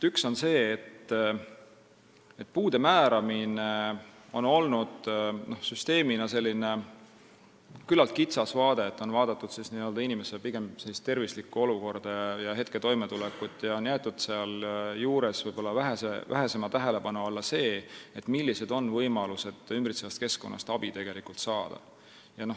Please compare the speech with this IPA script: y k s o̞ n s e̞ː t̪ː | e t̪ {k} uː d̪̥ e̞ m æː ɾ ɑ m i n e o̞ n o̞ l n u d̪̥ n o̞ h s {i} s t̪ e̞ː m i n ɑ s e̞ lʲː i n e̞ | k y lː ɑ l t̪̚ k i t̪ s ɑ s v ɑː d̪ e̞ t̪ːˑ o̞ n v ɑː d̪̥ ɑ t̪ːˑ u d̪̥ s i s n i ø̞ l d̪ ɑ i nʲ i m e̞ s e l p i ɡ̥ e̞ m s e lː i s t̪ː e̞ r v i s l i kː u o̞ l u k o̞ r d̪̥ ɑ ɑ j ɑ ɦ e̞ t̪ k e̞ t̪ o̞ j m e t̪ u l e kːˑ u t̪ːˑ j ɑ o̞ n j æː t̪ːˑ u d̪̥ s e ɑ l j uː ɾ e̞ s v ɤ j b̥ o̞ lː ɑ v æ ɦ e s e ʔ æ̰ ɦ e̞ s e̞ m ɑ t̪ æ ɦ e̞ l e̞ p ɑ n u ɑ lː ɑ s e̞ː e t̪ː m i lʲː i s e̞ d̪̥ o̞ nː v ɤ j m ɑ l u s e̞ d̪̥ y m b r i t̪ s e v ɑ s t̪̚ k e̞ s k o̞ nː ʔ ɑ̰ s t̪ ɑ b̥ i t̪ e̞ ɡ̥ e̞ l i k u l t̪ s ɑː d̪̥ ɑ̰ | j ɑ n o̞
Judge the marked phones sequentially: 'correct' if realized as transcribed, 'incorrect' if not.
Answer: incorrect, incorrect

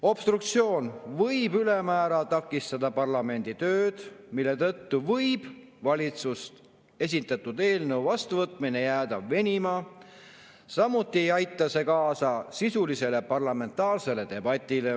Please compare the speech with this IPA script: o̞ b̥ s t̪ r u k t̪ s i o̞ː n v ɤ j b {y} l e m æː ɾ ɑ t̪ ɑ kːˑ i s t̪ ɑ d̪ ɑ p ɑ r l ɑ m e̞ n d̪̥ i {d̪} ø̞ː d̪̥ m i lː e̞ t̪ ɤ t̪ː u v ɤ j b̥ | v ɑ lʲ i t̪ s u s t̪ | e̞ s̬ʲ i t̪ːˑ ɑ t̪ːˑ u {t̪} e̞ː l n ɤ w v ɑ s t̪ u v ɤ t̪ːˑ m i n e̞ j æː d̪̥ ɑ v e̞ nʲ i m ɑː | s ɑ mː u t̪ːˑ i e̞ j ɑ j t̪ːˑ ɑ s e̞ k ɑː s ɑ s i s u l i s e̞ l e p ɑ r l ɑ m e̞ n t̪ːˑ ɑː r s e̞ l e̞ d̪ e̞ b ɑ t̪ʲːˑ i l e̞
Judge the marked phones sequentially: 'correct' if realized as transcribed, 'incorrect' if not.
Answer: correct, incorrect, incorrect

